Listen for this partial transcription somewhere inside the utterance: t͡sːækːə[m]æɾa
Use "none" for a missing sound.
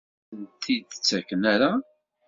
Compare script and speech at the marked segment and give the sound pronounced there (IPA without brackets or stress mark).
n